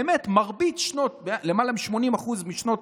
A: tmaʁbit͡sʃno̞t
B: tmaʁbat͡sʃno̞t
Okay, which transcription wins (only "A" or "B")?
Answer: A